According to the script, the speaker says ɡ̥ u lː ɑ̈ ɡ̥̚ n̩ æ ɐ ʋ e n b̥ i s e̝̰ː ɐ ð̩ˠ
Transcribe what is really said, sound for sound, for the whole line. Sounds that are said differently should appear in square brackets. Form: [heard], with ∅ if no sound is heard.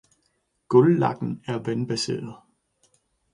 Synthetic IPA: ɡ̥ [ɔ] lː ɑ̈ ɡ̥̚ n̩ æ ɐ ʋ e n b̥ [æ] s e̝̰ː ɐ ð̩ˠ